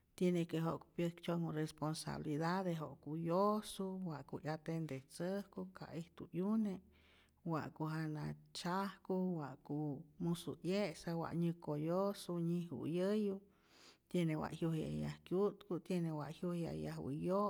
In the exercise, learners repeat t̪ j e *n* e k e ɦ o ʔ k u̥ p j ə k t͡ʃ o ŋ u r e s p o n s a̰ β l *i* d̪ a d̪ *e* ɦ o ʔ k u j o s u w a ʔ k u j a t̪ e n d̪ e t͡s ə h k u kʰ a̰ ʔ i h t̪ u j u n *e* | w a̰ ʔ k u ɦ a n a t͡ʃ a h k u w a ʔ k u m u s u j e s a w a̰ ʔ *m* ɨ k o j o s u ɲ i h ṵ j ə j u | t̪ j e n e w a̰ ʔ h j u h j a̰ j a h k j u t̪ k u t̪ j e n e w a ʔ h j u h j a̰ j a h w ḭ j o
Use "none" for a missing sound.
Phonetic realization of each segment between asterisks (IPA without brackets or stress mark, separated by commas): n, i, e, e, ɲ